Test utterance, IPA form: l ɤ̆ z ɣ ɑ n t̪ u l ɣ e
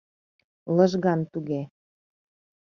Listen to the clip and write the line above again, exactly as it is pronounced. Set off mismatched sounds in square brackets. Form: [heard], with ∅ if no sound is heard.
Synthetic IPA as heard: l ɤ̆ [ʒ] ɣ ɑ n t̪ u [∅] ɣ e